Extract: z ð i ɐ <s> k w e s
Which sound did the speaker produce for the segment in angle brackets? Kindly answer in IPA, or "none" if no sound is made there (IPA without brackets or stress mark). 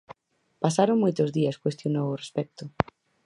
s